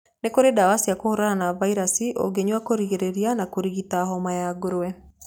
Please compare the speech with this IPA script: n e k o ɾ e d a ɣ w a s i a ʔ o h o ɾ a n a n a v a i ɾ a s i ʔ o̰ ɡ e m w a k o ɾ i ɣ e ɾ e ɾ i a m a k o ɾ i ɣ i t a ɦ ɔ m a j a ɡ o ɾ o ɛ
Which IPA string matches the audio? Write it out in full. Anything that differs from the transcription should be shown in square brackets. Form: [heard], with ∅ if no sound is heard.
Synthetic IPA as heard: n e k o ɾ e d a [∅] w a s i a [k] o h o ɾ a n a n a v a i ɾ a s i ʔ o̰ ɡ e [ɲ] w a k o ɾ i ɣ e ɾ e ɾ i a [n] a k o ɾ i ɣ i t a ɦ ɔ m a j a ɡ o ɾ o ɛ

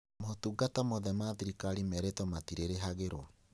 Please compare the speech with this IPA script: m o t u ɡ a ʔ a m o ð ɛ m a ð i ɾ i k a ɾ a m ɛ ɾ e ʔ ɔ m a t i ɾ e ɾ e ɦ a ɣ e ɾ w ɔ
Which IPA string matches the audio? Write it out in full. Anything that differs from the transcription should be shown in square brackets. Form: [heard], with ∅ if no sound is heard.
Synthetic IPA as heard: m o t u ɡ a [t] a m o ð ɛ m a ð i ɾ i k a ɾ [i] m ɛ ɾ e [t] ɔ m a t i ɾ e ɾ e ɦ a ɣ e ɾ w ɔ

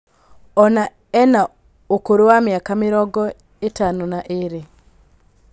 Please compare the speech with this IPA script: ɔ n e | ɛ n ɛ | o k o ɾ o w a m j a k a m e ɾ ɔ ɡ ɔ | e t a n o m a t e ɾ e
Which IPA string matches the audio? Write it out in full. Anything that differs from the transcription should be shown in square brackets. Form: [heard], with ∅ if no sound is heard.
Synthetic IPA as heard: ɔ n [a] | ɛ n [a] | o k o ɾ o w a m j a k a m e ɾ ɔ ɡ ɔ | e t a n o [n] a [ʔ] e ɾ e

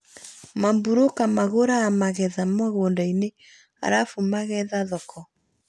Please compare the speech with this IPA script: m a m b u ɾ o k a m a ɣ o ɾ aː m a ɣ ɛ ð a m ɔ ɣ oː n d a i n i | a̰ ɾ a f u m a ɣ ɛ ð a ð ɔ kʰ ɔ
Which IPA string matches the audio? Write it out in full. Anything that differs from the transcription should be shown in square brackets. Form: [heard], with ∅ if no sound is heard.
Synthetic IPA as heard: m a m b u ɾ o k a m a ɣ o ɾ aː m a ɣ ɛ ð a m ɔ ɣ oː n d a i n [e] | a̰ ɾ a f u m a ɣ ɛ ð a ð ɔ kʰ ɔ

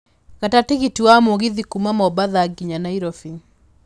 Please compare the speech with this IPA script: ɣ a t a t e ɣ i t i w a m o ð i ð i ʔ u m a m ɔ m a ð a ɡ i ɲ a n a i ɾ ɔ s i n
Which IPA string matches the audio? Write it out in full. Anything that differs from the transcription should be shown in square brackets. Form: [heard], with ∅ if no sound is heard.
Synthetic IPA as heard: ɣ a t a t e ɣ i t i w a m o [ɣ] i ð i [k] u m a m ɔ [b] a ð a ɡ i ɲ a n a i ɾ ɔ [f] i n

